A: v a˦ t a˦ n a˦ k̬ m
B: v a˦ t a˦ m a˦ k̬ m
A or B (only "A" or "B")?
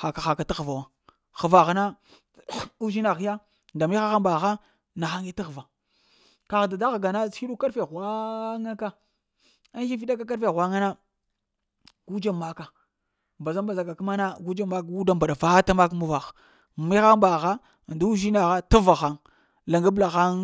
B